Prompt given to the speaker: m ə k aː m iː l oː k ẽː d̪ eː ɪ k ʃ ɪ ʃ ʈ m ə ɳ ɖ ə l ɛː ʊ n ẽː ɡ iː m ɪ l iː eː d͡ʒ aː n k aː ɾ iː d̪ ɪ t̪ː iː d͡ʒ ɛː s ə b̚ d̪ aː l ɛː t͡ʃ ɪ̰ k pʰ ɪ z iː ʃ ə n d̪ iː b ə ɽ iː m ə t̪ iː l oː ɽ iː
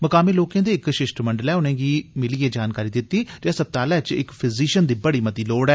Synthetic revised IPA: m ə k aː m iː l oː k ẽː d̪ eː ɪ k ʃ ɪ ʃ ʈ m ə ɳ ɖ ə l ɛː ʊ n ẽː ɡ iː m ɪ l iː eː d͡ʒ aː n k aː ɾ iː d̪ ɪ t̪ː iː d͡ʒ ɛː s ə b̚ t̪ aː l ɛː t͡ʃ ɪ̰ k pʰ ɪ z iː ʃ ə n d̪ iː b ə ɽ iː m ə t̪ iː l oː ɽ ɛː